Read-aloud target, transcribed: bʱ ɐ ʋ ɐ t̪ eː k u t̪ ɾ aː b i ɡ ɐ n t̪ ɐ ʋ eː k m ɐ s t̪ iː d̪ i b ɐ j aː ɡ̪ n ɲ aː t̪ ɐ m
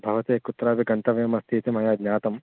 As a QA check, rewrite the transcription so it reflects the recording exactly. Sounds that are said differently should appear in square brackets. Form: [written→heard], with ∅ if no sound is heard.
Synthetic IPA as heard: bʱ ɐ ʋ ɐ t̪ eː k u t̪ ɾ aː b i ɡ ɐ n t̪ ɐ ʋ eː [k→∅] m ɐ s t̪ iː [d̪→t̪] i [b→m] ɐ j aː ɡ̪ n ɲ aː t̪ ɐ m